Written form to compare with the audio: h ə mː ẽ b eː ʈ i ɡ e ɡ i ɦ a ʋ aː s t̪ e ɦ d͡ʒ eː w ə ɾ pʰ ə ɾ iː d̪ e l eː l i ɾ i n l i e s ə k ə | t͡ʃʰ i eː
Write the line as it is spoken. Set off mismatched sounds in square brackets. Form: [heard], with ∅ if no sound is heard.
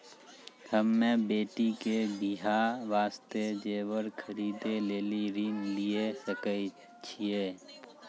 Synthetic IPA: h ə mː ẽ b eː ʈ i [k] e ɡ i ɦ a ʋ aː s t̪ e [∅] d͡ʒ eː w ə ɾ [kʰ] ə ɾ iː d̪ e l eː l i ɾ i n l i e s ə k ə | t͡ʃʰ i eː